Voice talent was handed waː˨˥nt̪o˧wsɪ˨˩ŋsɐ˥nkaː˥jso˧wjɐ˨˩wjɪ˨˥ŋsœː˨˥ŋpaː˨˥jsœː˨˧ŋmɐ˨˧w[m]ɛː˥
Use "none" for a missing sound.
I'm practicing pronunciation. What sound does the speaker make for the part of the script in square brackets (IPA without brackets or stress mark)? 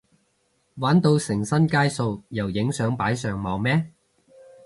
m